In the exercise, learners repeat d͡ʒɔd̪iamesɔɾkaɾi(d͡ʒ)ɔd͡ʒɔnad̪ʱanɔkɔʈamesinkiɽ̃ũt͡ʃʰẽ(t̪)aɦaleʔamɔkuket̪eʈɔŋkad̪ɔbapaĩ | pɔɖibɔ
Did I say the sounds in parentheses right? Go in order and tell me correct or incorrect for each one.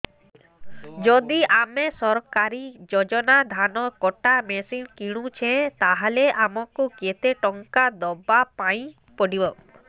correct, correct

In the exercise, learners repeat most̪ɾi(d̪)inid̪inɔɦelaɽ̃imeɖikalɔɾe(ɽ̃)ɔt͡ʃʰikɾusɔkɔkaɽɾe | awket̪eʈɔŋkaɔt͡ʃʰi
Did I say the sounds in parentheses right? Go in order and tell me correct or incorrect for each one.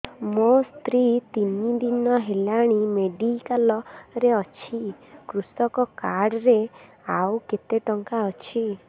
incorrect: t̪, incorrect: none

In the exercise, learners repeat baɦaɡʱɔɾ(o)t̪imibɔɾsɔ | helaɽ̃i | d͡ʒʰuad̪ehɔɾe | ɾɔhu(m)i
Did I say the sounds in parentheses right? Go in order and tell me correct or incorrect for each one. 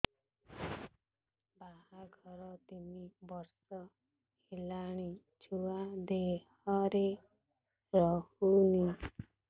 incorrect: ɔ, incorrect: n

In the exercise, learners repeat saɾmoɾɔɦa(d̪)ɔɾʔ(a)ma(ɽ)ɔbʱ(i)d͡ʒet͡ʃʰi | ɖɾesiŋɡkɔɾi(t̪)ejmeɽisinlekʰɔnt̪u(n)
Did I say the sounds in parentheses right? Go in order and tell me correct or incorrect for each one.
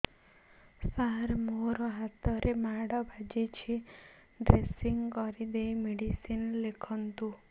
incorrect: t̪, incorrect: e, correct, incorrect: a, incorrect: d̪, incorrect: none

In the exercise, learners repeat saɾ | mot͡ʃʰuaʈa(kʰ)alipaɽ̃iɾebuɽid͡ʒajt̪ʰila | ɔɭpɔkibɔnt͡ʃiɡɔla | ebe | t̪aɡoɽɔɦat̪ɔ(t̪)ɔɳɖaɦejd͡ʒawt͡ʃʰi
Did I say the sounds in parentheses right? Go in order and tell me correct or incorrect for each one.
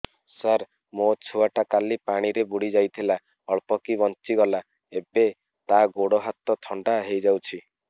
incorrect: k, incorrect: t̪ʰ

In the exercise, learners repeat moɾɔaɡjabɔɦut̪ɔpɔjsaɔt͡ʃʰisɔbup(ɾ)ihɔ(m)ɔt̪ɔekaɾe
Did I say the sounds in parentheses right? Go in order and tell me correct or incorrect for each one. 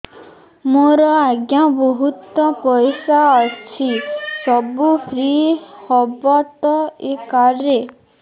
correct, incorrect: b

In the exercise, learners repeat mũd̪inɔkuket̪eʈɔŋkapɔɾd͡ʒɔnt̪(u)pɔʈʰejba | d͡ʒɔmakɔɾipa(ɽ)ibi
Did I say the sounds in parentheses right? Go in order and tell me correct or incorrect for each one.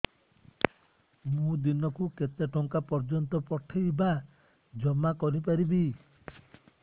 incorrect: ɔ, incorrect: ɾ

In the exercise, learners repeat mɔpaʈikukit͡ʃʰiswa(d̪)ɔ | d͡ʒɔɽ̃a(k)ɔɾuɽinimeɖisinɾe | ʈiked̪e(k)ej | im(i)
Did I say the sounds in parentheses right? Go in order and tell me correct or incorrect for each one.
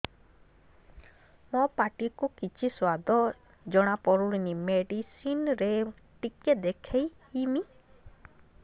correct, incorrect: p, incorrect: kʰ, correct

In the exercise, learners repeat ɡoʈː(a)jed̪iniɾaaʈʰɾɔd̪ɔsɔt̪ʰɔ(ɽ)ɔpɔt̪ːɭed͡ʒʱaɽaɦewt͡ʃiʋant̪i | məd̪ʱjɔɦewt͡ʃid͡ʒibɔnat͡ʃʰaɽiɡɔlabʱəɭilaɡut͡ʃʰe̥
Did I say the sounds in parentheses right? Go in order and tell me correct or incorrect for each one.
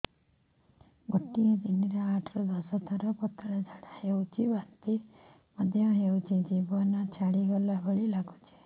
incorrect: i, incorrect: ɾ

